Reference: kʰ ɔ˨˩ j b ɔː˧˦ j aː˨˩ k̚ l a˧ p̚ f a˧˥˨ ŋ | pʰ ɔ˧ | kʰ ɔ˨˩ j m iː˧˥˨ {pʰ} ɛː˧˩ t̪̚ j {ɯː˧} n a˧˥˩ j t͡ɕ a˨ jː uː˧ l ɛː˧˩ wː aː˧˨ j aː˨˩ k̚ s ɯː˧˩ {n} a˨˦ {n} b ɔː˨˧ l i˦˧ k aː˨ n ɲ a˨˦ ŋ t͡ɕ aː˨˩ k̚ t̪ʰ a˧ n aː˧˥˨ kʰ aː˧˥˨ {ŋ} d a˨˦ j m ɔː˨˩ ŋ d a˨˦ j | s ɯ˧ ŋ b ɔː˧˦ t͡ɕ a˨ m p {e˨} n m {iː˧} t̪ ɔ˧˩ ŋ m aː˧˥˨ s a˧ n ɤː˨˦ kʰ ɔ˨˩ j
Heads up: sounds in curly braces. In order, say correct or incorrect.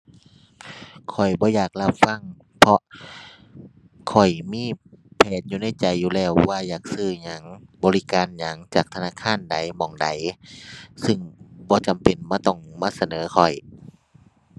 correct, incorrect, incorrect, incorrect, incorrect, correct, incorrect

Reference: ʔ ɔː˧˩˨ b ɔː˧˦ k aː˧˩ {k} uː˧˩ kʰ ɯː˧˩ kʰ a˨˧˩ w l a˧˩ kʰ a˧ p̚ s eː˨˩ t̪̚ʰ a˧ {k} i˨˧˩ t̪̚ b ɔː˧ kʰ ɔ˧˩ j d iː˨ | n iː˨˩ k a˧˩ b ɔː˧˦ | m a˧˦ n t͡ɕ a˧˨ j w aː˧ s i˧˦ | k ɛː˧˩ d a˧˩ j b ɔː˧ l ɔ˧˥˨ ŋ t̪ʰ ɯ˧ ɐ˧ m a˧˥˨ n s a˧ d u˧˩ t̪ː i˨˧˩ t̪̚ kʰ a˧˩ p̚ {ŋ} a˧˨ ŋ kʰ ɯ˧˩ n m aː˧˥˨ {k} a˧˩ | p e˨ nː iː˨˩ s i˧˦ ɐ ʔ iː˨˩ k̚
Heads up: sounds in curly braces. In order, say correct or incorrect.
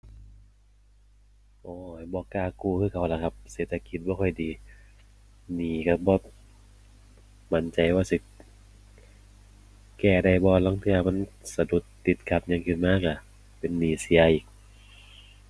correct, correct, incorrect, correct

